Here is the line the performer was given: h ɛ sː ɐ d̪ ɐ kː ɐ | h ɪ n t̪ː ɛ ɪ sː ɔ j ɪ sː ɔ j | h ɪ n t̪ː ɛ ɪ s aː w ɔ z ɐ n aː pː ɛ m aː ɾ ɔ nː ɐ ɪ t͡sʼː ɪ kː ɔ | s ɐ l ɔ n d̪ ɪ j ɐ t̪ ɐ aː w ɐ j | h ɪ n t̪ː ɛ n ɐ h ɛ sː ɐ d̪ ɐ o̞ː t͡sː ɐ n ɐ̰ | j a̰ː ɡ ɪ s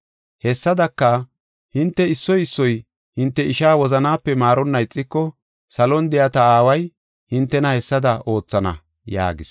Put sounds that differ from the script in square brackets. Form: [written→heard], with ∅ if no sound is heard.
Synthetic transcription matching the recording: h ɛ sː ɐ d̪ ɐ kː ɐ | h ɪ n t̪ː ɛ ɪ sː ɔ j ɪ sː ɔ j | h ɪ n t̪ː ɛ ɪ [s→ʃ] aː w ɔ z ɐ n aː pː ɛ m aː ɾ ɔ nː ɐ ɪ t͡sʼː ɪ kː ɔ | s ɐ l ɔ n d̪ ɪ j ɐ t̪ ɐ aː w ɐ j | h ɪ n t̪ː ɛ n ɐ h ɛ sː ɐ d̪ ɐ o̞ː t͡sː ɐ n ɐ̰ | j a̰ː ɡ ɪ s